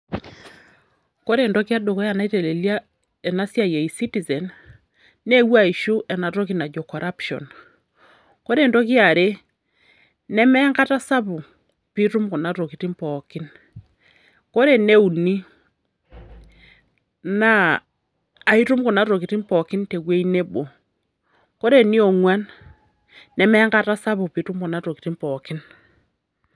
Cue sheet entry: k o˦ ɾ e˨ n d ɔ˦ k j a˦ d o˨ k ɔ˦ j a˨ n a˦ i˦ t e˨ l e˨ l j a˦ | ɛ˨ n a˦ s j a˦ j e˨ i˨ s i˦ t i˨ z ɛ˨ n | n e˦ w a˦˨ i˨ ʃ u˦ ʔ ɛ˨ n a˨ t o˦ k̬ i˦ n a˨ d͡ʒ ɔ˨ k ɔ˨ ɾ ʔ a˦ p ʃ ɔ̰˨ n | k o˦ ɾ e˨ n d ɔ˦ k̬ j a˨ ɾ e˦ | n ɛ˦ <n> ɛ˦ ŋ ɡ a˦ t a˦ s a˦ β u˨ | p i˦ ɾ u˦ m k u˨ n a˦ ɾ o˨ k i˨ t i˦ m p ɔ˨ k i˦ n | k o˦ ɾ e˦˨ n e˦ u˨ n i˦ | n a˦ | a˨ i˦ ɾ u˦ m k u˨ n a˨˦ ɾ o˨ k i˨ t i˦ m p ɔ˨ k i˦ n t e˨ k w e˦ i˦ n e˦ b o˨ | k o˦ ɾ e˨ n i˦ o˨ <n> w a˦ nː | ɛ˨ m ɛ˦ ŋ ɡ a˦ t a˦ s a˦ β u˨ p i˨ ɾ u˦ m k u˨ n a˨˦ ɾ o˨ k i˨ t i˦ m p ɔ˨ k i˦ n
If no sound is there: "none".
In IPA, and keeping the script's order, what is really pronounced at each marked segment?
m, ŋ

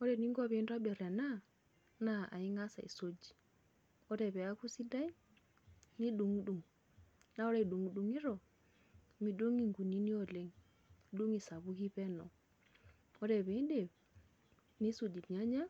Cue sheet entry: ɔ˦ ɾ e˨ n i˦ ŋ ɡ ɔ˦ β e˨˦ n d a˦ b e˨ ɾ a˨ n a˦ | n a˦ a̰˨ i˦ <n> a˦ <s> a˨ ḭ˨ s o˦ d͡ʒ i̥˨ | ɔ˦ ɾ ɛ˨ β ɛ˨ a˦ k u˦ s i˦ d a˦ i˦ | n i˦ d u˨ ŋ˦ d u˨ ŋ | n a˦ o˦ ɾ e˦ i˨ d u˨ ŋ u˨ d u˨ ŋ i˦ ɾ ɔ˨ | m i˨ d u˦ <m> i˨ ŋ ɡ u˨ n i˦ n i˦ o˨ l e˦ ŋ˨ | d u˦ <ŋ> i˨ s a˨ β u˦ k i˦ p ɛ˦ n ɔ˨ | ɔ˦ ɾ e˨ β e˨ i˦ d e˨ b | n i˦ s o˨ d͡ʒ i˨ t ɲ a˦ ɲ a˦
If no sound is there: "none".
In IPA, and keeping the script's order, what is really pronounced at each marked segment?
ŋ, s, ŋ, ŋ

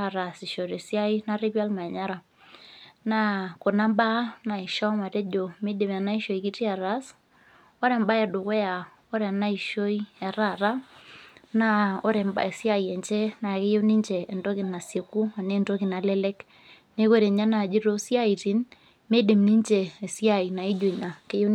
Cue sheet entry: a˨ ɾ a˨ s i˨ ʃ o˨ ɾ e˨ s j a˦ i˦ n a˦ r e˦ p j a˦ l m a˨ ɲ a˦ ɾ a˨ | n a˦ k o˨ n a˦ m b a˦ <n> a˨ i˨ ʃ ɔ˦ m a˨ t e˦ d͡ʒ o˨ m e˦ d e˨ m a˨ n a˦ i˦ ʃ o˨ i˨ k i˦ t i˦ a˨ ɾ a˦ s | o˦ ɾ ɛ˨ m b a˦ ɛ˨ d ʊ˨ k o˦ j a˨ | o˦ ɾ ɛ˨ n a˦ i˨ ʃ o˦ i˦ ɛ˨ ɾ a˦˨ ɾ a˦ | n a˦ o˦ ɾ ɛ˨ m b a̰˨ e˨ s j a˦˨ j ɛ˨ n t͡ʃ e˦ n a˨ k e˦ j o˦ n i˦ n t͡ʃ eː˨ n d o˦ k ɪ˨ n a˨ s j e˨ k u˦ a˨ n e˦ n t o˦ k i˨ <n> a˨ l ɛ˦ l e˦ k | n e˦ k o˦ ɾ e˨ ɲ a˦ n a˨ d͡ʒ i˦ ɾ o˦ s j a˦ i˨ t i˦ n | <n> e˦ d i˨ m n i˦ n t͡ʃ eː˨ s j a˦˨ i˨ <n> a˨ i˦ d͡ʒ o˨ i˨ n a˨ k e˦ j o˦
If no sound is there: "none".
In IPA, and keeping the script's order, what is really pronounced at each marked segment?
n, n, m, n

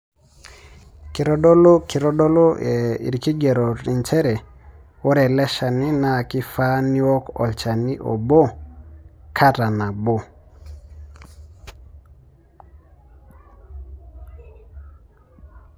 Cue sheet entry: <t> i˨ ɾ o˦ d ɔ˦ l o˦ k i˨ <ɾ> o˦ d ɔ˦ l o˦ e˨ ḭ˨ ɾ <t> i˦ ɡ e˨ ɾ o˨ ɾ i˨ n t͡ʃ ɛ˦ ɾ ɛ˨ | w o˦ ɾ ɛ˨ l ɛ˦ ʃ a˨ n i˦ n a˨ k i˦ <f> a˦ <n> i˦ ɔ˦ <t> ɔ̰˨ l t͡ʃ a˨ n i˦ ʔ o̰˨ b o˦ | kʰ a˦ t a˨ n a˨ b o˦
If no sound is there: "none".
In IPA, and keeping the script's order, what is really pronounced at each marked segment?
k, ɾ, k, f, n, k

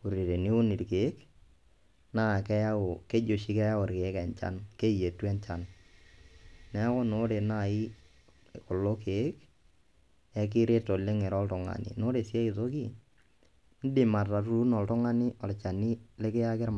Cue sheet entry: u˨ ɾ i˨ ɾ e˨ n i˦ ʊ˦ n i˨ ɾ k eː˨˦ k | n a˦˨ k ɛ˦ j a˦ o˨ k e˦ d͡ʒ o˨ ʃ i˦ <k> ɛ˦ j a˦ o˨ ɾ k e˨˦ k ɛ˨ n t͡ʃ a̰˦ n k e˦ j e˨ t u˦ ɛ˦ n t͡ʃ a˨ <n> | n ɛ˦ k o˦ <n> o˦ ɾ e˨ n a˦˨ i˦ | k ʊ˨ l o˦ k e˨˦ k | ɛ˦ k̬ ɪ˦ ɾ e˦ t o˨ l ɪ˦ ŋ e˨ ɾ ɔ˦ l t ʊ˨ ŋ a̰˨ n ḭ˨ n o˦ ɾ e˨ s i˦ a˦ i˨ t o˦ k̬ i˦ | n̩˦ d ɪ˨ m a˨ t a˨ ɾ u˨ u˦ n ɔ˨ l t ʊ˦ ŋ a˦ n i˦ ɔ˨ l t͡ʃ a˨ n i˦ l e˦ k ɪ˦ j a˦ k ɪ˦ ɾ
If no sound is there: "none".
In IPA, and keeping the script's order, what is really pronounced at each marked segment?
k, n, n

